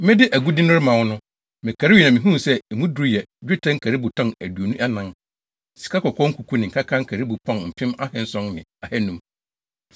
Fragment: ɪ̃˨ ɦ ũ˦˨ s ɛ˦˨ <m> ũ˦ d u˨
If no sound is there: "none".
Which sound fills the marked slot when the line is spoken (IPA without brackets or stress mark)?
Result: m